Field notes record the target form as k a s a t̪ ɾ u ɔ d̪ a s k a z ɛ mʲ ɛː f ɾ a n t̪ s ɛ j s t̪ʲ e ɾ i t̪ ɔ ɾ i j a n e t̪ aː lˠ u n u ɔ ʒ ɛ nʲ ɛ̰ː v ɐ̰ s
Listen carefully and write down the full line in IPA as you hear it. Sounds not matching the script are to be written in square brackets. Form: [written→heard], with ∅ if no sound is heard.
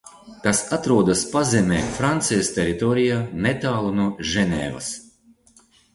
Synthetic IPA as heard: k a s a t̪ ɾ u ɔ d̪ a s [k→p] a z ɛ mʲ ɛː f ɾ a n t̪ s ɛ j s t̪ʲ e ɾ i t̪ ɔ ɾ i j a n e t̪ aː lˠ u n u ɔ ʒ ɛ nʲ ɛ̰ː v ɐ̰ s